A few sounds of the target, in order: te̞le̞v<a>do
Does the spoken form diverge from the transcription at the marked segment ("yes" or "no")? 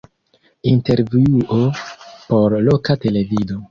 yes